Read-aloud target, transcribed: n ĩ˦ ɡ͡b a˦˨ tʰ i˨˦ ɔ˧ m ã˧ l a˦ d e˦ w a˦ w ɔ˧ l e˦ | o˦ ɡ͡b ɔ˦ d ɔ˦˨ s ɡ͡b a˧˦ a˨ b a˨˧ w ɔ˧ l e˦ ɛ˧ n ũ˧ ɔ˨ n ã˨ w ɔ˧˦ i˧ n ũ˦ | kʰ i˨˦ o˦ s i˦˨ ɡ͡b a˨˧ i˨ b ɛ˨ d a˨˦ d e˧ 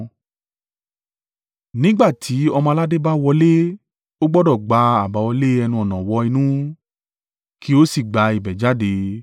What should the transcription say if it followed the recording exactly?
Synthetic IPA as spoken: n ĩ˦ ɡ͡b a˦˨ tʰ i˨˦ ɔ˧ m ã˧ l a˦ d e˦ b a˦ w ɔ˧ l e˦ | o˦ ɡ͡b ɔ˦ d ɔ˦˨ ɡ͡b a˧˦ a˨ b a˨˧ w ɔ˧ l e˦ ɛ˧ n ũ˧ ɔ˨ n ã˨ w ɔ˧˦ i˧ n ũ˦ | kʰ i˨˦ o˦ s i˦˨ ɡ͡b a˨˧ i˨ b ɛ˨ d͡ʒ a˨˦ d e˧

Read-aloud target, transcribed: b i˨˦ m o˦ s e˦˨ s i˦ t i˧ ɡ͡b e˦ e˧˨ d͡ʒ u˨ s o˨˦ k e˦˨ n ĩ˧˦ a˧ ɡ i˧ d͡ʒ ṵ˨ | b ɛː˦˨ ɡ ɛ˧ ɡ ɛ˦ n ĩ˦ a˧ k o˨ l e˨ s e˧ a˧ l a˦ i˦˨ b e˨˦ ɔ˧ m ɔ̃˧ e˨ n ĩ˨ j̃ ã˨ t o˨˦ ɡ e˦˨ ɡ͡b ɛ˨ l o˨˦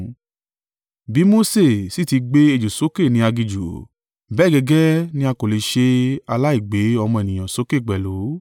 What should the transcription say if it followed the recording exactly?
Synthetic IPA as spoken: b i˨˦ m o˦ s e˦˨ s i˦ t i˧ ɡ͡b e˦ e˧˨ d͡ʒ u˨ s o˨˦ k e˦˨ n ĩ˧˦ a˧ ɡ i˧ d͡ʒ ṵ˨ | b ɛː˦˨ ɡ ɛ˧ ɡ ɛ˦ n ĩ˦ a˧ k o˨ l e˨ ʃ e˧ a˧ l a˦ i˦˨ ɡ͡b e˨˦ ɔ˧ m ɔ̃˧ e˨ n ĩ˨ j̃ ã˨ s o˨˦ k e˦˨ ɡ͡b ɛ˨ l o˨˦

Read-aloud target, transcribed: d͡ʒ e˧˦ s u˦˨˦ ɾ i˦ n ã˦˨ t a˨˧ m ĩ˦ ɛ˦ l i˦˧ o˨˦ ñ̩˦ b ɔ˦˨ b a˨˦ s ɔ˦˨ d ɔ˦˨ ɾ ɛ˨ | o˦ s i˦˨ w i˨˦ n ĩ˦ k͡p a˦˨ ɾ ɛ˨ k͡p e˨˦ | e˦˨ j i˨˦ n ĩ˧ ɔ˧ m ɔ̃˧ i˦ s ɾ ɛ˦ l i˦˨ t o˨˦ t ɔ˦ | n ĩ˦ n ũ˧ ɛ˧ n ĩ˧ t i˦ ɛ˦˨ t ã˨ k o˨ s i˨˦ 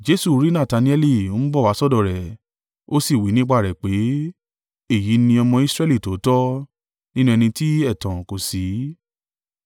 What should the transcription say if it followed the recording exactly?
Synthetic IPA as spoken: d͡ʒ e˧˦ s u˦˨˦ ɾ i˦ n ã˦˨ t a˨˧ n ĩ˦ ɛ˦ l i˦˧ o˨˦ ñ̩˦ b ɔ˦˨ w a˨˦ s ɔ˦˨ d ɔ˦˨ ɾ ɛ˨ | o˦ s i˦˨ w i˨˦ n ĩ˦ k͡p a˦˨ ɾ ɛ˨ k͡p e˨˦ | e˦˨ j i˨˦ n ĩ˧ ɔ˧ m ɔ̃˧ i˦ s ɾ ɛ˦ l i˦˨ t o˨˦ t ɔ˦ | n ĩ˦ n ũ˧ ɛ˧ n ĩ˧ t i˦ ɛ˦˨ t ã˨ k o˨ s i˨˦

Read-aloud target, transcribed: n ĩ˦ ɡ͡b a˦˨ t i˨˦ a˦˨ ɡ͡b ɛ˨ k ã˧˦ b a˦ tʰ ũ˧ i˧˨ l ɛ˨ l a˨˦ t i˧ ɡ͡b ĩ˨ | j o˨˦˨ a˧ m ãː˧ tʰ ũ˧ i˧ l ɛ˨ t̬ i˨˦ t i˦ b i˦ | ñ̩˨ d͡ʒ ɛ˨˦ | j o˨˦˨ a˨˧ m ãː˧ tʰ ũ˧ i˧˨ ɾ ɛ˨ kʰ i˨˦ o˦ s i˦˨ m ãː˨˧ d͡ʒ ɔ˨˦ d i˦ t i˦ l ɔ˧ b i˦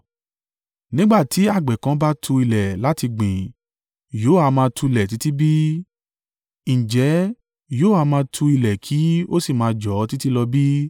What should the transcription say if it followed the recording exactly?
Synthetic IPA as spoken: n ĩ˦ ɡ͡b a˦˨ t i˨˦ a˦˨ ɡ͡b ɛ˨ k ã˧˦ b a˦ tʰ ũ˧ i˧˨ l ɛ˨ l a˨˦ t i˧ ɡ͡b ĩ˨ | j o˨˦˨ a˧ m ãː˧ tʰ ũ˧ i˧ l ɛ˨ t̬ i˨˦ t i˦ b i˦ | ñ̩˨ d͡ʒ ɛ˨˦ | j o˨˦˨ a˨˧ m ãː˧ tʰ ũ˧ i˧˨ l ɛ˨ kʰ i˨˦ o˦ s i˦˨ m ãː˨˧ d͡ʒ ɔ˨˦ t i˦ t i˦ l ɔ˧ b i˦

